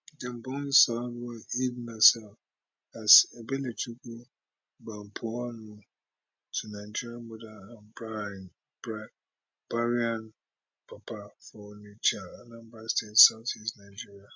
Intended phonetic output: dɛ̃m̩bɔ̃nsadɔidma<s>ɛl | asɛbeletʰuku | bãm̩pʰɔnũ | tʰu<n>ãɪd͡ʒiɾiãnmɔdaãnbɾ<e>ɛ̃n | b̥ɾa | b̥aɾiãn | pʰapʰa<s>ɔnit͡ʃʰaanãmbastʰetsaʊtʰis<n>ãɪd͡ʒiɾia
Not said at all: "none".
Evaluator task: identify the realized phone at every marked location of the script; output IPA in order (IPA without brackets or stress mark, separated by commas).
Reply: s, n, a, f, n